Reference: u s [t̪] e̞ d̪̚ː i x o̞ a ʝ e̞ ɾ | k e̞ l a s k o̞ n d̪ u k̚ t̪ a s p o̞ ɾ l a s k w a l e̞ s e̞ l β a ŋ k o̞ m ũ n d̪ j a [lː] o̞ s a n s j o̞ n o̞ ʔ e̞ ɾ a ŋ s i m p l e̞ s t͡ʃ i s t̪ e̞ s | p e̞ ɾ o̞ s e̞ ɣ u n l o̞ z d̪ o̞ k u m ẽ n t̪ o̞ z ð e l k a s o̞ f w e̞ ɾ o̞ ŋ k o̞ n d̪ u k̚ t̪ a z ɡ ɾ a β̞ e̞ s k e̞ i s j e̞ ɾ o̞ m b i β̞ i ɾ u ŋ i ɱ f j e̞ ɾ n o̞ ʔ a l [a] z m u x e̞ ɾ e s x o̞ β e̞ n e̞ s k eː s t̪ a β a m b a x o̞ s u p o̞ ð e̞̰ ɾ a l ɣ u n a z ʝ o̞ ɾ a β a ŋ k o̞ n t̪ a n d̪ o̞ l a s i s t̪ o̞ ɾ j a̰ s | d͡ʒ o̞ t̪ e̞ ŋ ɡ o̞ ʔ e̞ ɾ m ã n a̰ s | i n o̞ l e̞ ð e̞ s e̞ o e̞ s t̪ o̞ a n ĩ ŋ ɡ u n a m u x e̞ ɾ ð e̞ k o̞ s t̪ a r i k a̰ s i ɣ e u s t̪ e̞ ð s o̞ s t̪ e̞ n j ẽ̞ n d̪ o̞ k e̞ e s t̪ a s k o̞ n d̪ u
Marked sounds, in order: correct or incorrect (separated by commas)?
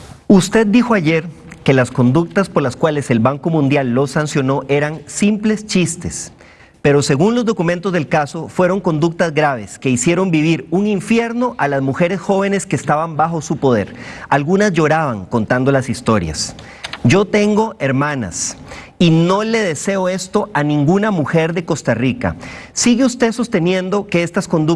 correct, correct, correct